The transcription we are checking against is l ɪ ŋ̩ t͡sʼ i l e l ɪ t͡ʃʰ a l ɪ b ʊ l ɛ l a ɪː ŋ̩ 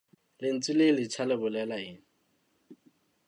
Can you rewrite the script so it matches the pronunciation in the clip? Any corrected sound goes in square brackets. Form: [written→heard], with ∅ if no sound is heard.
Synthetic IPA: l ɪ [ŋ̩→n̩] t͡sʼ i l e l ɪ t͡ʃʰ a l ɪ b ʊ l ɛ l a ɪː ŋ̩